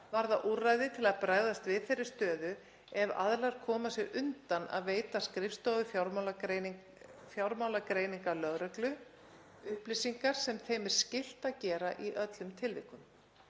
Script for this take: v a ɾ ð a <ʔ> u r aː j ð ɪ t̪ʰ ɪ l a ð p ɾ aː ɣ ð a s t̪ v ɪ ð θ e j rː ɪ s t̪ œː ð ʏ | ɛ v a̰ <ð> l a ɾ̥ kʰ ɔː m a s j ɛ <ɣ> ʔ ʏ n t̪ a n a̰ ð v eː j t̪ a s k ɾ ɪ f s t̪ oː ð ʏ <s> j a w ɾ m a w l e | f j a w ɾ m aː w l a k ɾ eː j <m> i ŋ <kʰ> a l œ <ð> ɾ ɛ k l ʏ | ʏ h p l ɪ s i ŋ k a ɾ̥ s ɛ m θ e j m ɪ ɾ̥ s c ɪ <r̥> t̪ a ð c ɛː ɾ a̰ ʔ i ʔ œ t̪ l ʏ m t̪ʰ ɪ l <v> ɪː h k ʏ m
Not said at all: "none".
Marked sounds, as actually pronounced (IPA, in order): ʔ, ð, ɣ, f, n, k, ɣ, l̥, v

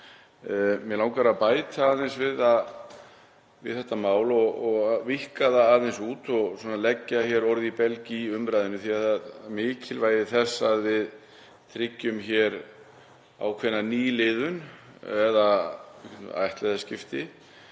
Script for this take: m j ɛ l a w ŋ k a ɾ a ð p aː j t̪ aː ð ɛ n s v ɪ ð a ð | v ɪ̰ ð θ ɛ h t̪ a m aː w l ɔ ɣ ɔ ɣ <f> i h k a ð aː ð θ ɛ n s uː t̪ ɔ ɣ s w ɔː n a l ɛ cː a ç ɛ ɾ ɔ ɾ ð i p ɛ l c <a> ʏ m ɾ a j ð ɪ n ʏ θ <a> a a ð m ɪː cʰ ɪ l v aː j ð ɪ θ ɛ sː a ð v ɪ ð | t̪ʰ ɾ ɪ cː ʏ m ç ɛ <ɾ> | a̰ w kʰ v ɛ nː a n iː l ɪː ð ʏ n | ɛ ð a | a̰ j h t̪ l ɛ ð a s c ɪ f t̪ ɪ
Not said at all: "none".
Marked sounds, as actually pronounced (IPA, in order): v, i, i, ɾ

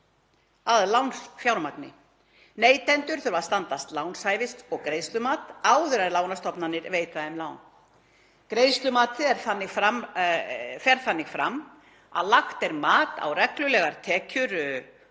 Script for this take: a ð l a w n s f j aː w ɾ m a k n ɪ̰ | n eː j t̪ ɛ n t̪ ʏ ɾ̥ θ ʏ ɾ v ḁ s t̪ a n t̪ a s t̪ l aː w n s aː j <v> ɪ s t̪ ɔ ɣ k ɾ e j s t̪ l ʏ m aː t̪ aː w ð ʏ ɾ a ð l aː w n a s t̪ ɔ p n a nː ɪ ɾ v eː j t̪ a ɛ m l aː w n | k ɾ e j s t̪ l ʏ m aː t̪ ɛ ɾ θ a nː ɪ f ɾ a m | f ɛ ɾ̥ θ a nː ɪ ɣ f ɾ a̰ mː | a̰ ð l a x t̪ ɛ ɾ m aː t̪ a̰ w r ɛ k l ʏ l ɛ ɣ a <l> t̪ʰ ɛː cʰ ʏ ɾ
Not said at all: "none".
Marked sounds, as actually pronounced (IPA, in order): v, ɾ

